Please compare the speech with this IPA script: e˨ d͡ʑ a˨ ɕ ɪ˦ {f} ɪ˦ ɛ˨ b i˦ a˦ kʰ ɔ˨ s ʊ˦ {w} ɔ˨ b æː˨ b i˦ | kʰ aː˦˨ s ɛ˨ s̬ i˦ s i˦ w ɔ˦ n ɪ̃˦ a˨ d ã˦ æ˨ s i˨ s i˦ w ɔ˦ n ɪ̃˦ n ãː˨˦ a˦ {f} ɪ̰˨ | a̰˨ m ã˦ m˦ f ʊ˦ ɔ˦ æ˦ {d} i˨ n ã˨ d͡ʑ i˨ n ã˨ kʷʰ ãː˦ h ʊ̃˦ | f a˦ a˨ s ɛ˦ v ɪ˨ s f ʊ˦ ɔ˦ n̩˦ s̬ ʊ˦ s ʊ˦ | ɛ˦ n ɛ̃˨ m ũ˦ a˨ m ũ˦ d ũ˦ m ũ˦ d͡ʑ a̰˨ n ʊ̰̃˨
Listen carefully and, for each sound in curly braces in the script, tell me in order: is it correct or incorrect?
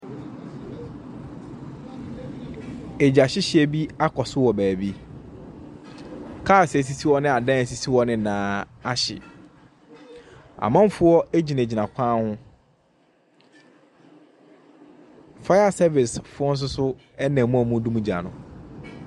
incorrect: ɕ, correct, incorrect: ɕ, incorrect: d͡ʑ

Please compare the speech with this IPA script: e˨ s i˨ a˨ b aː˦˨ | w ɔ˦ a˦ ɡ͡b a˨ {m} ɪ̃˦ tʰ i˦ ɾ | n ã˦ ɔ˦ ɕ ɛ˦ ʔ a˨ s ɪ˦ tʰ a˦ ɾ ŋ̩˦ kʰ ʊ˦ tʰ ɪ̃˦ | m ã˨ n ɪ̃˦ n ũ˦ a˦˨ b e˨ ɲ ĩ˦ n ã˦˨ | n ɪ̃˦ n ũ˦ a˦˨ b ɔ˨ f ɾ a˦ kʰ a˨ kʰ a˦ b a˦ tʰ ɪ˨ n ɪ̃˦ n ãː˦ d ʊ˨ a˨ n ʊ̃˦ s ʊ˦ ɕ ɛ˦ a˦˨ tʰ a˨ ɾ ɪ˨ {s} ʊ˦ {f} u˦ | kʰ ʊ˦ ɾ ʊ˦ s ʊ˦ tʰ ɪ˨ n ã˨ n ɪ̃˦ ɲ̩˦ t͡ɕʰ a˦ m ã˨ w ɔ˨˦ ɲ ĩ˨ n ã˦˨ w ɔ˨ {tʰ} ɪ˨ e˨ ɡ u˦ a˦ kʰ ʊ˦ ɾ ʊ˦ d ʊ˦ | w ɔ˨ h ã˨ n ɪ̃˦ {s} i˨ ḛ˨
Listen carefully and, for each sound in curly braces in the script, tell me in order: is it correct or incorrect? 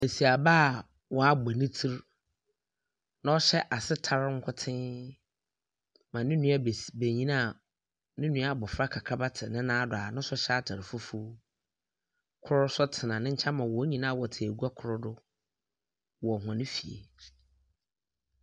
incorrect: n, incorrect: f, correct, correct, incorrect: f

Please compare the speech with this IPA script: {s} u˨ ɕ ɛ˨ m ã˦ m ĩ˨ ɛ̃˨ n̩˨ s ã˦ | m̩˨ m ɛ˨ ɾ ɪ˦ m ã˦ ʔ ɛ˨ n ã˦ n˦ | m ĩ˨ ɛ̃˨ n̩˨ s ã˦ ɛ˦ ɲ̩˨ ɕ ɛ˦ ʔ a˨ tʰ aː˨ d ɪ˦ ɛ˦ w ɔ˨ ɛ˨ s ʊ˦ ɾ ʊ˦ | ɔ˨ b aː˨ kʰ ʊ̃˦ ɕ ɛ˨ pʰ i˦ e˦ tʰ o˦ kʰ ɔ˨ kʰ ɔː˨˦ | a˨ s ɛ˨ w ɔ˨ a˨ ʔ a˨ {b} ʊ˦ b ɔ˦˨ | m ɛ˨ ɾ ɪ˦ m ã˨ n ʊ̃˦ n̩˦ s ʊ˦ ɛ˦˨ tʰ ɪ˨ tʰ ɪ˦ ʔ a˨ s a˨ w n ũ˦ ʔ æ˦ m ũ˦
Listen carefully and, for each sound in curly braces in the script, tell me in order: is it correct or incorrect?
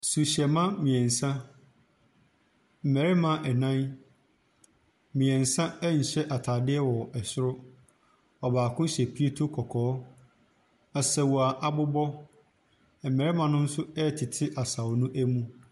correct, correct

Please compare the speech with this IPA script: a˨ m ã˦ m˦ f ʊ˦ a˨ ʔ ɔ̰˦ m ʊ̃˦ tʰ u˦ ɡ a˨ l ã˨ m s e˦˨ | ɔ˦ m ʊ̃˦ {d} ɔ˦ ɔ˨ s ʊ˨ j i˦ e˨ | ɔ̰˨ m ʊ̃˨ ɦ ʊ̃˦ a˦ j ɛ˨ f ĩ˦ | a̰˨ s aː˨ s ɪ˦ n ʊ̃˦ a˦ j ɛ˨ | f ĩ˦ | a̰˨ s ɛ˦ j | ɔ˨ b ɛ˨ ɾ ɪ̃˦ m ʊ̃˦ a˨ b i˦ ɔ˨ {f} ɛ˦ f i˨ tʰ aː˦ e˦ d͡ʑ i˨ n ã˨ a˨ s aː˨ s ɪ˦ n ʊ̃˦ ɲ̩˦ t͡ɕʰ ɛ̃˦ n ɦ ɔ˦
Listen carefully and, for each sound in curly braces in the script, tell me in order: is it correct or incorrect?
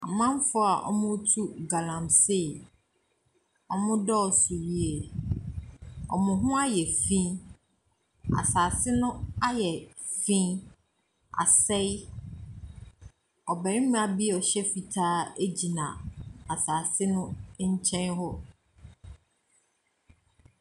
correct, incorrect: ɕ

